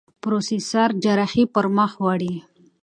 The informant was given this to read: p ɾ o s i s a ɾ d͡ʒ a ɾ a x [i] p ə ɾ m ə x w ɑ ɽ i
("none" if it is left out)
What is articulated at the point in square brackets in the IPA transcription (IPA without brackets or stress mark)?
i